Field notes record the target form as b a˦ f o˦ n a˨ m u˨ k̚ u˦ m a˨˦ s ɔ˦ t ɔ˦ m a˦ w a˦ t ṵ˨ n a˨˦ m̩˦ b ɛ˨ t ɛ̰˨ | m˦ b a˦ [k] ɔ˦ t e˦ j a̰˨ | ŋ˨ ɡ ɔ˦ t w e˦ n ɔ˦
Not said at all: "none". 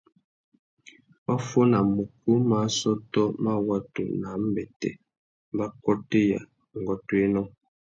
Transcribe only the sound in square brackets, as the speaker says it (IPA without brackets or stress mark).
k